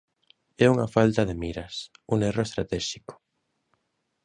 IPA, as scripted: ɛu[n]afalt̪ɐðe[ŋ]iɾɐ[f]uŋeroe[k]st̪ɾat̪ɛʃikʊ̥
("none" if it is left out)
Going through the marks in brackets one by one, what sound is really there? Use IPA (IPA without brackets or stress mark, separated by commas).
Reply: ŋ, m, s, none